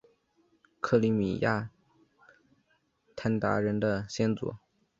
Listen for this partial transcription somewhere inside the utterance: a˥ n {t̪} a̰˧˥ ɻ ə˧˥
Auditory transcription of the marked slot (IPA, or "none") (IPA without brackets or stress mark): t̪